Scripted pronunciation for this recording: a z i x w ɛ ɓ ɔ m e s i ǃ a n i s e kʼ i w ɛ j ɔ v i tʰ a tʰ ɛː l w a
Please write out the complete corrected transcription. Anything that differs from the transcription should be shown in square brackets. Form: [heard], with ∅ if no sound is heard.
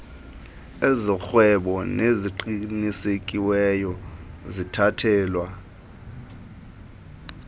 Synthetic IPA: [e] z i x w ɛ ɓ ɔ [n] e [z] i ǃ [i] n i s e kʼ i w ɛ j ɔ [z] i tʰ a tʰ ɛː l w a